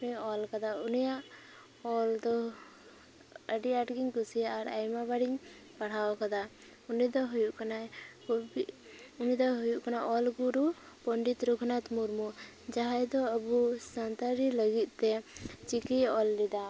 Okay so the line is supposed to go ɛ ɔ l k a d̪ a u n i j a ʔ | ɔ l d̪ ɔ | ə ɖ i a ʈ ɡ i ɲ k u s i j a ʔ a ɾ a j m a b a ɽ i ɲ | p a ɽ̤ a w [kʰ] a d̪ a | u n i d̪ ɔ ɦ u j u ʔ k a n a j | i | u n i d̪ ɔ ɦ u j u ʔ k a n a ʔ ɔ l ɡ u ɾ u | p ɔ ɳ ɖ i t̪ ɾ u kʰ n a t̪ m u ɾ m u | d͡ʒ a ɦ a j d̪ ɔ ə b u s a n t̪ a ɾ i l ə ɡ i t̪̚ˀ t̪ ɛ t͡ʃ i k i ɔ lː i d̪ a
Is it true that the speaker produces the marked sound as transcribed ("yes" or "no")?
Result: no